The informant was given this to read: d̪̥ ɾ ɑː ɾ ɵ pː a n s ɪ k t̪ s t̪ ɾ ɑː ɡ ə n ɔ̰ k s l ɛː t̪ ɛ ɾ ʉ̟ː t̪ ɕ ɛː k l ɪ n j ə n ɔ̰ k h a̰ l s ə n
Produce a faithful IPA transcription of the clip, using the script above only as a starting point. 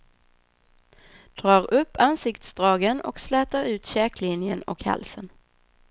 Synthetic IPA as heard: d̪̥ ɾ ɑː ɾ ɵ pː a n s ɪ k t̪ s d̪ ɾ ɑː ɡ ə n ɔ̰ k s l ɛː t̪ a ɾ ʉ̟ː t̪ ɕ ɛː k l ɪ n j ə n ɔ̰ k h a̰ l s ə n